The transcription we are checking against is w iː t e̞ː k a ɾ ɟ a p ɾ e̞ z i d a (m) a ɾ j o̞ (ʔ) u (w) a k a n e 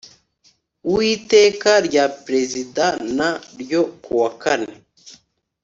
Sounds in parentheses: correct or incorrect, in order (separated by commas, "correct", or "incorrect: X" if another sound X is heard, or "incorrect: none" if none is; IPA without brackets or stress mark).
incorrect: n, incorrect: k, correct